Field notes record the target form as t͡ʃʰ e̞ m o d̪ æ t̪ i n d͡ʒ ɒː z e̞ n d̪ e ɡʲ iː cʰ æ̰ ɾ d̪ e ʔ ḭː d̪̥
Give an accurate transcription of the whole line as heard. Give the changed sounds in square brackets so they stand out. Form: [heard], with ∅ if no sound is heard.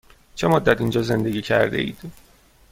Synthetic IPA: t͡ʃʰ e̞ m o [d̪ː] æ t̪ i n d͡ʒ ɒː z e̞ n d̪ e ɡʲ iː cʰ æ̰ ɾ d̪ e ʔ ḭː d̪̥